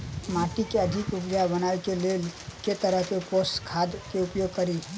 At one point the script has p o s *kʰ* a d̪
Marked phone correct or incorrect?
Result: correct